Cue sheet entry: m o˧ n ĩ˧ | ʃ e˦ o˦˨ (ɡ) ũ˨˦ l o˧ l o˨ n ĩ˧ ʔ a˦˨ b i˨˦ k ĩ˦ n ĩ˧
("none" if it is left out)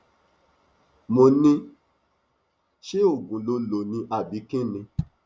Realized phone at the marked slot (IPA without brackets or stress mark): ɡ